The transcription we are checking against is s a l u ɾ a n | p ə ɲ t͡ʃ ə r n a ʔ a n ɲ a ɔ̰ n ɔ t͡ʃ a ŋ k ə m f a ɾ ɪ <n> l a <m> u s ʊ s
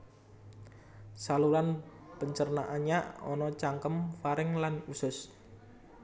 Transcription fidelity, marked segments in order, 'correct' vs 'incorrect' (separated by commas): incorrect, incorrect